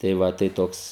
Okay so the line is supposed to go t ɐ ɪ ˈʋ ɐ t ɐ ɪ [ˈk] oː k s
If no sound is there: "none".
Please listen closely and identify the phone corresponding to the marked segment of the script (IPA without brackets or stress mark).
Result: t